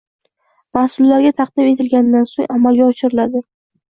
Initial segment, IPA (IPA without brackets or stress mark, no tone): m